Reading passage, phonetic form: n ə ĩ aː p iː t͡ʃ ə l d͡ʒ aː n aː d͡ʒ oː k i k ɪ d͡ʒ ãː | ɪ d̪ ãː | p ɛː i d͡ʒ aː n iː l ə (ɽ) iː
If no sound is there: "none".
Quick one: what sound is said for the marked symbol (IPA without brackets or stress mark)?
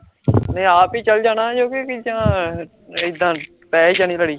ɽ